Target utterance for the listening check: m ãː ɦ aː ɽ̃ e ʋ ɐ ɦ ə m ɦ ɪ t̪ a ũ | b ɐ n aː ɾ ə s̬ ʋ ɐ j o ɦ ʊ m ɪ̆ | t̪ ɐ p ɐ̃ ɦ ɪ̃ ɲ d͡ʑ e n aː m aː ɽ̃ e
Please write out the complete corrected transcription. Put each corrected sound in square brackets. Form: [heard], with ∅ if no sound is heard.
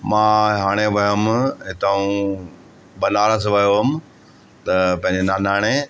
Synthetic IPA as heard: m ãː ɦ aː ɽ̃ e ʋ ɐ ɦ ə m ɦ ɪ t̪ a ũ | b ɐ n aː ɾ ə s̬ ʋ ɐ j o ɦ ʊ m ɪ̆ | t̪ ɐ p ɐ̃ ɦ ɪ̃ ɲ d͡ʑ e n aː [n] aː ɽ̃ e